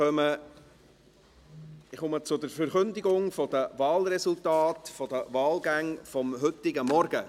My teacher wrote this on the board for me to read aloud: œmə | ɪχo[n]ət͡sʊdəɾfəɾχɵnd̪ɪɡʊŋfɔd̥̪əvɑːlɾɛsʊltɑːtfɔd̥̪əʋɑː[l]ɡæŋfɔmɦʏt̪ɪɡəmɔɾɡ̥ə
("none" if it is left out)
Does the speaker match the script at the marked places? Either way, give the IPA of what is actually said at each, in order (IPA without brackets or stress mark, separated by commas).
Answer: m, l